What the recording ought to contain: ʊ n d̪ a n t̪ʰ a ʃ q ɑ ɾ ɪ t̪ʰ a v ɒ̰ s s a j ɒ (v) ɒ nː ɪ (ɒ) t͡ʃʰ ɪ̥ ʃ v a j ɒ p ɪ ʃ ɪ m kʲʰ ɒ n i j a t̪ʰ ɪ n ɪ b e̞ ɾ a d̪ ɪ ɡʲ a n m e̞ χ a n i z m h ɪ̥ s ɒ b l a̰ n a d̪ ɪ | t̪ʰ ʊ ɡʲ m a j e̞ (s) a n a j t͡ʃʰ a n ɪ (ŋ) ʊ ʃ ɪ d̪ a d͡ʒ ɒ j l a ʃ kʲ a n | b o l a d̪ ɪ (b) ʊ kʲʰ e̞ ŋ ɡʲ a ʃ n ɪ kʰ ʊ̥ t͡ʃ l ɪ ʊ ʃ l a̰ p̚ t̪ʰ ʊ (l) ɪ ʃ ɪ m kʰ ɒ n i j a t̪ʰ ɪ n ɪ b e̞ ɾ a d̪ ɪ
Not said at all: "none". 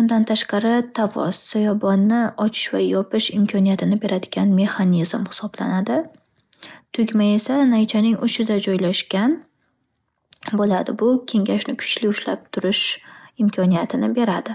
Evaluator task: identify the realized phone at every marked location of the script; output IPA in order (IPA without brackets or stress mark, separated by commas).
b, ɒ, s, ŋ, b, ɾ